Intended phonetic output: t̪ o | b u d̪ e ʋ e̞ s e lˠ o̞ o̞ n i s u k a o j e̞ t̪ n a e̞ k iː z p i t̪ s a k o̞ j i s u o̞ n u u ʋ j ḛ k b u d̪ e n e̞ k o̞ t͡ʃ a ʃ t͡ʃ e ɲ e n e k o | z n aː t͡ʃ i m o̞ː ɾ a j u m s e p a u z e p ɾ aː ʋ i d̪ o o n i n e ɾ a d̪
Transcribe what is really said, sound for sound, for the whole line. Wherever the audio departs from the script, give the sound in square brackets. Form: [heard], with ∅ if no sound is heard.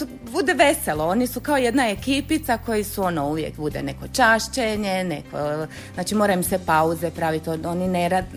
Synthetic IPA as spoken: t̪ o | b u d̪ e ʋ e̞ s e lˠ o̞ o̞ n i s u k a o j e̞ [d̪] n a e̞ k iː [∅] p i t̪ s a k o̞ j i s u o̞ n [o] u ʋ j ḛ k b u d̪ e n e̞ k o̞ t͡ʃ a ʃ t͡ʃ e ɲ e n e k o | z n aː t͡ʃ i m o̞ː ɾ a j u m s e p a u z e p ɾ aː ʋ i [t̪] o o n i n e ɾ a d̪